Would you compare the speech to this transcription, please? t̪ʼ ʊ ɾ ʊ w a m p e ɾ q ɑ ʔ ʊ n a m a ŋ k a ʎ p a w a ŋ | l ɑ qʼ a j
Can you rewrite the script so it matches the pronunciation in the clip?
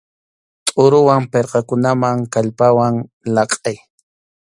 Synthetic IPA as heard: t̪ʼ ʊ ɾ ʊ w a m p e ɾ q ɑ k ʊ n a m a ŋ k a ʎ p a w a ŋ | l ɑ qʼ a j